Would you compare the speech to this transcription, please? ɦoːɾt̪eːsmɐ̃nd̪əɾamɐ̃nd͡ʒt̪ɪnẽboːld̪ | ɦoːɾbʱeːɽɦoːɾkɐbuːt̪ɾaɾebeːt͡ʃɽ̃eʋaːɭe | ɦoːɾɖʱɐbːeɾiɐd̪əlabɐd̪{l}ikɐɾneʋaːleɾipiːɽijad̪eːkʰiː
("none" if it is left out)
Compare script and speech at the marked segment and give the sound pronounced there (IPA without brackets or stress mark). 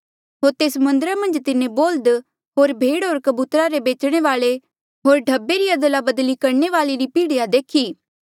l